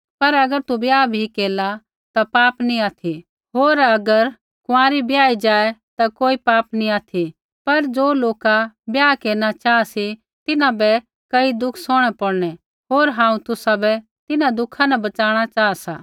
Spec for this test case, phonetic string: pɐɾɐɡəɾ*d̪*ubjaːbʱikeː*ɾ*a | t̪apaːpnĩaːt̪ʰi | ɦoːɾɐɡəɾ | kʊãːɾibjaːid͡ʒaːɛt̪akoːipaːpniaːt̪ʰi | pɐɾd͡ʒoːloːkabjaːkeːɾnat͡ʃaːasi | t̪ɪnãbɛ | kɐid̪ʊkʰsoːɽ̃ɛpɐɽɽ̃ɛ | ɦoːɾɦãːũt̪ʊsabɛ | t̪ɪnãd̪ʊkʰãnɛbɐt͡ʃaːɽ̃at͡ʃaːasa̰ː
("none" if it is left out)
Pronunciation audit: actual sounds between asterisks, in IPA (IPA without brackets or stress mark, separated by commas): t̪, l